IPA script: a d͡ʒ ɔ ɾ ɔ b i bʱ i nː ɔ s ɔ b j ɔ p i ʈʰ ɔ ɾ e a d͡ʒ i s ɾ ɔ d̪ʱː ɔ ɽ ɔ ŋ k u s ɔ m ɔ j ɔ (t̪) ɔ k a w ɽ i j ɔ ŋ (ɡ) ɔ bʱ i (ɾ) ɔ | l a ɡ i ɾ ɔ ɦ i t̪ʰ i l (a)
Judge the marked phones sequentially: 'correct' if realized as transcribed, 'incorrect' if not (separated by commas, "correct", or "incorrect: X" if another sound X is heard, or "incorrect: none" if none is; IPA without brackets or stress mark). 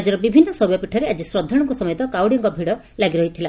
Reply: correct, incorrect: k, incorrect: ɽ, correct